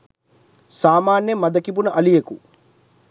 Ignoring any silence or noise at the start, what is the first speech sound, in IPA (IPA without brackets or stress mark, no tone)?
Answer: s